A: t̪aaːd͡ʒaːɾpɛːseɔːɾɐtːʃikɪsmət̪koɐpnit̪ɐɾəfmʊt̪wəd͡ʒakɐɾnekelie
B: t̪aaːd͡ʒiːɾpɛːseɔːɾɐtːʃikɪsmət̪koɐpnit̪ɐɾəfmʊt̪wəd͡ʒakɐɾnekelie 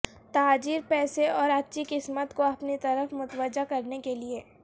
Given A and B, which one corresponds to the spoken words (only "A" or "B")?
B